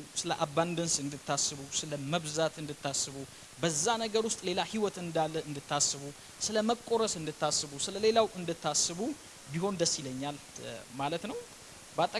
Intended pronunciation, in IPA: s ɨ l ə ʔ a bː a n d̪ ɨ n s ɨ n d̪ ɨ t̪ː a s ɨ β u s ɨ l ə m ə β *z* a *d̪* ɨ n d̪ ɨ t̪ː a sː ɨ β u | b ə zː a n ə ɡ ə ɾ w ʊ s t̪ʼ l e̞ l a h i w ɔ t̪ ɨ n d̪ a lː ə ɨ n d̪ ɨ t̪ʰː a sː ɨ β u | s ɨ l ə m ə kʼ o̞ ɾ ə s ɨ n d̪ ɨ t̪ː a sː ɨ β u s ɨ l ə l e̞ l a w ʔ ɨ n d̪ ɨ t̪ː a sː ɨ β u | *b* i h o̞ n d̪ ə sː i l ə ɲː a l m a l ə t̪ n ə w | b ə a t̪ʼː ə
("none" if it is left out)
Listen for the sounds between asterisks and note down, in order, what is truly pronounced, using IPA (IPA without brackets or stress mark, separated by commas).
z, t̪, b